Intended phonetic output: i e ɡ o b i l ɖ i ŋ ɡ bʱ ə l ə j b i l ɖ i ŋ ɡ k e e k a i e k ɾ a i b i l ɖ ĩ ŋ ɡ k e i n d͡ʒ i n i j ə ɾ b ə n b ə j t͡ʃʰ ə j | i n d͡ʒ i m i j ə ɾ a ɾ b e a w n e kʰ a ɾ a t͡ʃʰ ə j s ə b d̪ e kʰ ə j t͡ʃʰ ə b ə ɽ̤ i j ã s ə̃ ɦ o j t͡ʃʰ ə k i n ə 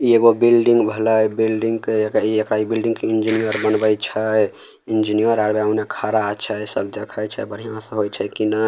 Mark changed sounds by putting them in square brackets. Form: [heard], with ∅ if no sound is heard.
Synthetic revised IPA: i e ɡ o b i l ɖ i ŋ ɡ bʱ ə l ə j b i l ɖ i ŋ ɡ k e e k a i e k ɾ a i b i l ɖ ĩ ŋ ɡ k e i n d͡ʒ i n i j ə ɾ b ə n b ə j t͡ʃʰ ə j | i n d͡ʒ i [n] i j ə ɾ a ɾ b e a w n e kʰ a ɾ a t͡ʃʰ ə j s ə b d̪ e kʰ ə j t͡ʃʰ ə b ə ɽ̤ i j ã s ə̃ ɦ o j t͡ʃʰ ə k i n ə